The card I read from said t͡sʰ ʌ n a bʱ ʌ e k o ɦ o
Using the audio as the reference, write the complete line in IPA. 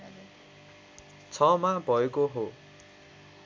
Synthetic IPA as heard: t͡sʰ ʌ m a bʱ ʌ e k o ɦ o